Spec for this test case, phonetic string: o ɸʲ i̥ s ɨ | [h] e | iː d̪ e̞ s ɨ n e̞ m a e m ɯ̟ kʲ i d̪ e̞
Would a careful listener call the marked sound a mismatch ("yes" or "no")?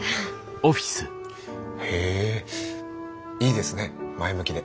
no